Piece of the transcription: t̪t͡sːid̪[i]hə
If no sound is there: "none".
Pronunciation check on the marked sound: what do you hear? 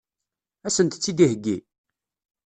i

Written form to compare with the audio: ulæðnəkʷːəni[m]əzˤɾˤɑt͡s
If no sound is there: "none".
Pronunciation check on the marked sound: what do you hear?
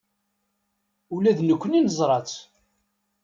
n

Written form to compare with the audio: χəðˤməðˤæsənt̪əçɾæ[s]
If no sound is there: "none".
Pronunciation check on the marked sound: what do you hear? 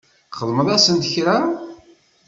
none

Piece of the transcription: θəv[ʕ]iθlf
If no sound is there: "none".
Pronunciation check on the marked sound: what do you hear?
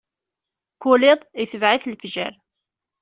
ʕ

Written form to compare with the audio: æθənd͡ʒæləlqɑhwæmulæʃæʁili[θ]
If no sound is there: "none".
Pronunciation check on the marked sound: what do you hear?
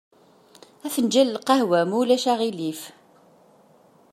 f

